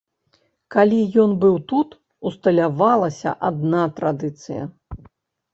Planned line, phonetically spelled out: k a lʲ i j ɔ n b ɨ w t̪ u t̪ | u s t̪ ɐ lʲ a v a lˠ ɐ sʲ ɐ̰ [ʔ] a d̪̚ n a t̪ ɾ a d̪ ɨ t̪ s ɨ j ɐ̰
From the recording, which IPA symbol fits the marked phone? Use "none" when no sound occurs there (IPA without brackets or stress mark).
ʔ